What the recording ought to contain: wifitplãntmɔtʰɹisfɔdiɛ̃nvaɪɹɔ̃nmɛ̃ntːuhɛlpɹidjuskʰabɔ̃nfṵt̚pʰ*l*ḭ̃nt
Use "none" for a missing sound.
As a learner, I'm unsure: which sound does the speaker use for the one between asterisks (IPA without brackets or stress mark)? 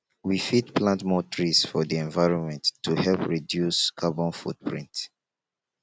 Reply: ɹ